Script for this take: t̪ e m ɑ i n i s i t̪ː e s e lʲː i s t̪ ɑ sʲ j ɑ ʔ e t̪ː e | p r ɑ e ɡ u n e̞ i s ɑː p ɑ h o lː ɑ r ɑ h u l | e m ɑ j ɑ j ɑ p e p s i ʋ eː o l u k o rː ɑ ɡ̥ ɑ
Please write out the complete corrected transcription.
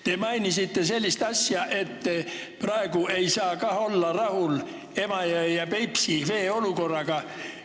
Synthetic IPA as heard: t̪ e m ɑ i n i s i t̪ː e s e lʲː i s t̪ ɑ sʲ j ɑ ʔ e t̪ː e | p r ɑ e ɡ u e̞ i s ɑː k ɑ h o lː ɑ r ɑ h u l | e m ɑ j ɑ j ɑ p e p s i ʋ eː o l u k o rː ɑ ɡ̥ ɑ